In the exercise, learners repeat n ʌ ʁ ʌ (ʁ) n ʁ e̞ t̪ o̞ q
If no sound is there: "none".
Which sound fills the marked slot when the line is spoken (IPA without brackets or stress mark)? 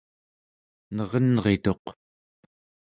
none